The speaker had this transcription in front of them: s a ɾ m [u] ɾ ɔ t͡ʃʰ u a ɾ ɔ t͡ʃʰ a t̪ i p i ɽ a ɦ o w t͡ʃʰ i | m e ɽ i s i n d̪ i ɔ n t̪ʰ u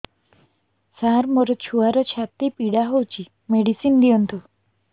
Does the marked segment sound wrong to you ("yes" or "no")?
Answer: yes